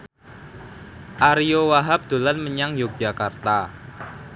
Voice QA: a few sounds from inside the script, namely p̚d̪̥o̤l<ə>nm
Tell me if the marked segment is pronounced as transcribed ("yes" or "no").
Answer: no